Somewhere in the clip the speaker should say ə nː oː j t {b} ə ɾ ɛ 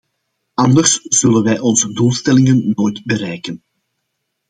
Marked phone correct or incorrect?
correct